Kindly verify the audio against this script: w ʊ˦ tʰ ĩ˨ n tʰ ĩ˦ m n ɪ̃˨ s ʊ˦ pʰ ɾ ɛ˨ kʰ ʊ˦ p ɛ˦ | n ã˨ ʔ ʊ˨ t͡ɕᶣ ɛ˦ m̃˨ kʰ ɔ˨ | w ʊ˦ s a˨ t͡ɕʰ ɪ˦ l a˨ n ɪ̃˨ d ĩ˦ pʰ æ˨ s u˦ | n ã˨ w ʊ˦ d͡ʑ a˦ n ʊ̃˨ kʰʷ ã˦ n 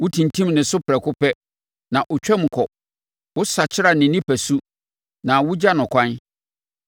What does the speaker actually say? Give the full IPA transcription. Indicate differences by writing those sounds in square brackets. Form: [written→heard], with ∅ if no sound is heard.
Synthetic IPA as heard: w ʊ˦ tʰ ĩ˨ n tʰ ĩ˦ m n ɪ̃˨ s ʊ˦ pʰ ɾ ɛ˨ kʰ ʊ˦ p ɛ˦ | n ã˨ ʔ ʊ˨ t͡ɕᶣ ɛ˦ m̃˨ kʰ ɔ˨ | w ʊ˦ s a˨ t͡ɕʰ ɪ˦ [l→ɾ] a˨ n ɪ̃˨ [d→n] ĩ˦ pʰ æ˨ s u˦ | n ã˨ w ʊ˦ d͡ʑ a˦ n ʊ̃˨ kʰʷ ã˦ n

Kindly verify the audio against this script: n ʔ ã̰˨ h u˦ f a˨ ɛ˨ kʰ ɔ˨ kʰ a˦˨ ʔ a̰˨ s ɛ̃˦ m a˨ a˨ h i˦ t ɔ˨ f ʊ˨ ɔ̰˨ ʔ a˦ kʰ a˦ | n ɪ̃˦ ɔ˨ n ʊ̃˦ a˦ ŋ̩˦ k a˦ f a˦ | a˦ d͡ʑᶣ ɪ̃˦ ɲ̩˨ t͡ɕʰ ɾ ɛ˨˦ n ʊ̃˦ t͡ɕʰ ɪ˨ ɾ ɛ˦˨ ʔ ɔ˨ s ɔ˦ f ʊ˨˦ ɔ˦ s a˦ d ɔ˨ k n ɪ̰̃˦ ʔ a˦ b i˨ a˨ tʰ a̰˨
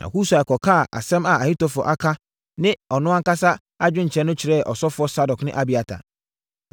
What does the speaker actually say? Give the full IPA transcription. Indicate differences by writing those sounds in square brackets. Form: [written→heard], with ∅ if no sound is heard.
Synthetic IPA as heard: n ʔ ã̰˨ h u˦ [f→s] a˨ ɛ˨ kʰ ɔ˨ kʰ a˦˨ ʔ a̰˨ s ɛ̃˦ m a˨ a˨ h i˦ t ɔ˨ f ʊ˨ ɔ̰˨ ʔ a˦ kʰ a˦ | n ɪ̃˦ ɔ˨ n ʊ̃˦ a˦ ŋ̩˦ k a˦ [f→s] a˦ | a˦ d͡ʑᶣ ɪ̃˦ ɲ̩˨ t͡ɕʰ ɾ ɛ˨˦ n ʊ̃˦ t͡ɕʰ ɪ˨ ɾ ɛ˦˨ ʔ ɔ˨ s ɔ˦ f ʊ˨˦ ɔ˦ s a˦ d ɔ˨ k n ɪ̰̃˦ ʔ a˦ b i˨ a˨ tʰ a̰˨

